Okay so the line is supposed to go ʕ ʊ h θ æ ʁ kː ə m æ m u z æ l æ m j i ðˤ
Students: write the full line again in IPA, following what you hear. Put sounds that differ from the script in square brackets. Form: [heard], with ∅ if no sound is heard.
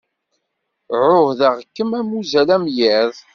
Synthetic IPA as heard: ʕ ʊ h [ð] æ ʁ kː ə m æ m u z æ l æ m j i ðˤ